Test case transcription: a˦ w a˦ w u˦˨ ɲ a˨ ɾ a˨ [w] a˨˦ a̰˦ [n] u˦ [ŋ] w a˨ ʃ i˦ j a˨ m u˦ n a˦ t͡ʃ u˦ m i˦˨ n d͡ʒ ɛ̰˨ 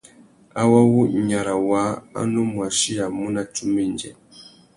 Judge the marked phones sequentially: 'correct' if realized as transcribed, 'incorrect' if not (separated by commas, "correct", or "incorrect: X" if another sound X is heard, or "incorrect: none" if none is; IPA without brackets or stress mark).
correct, correct, incorrect: m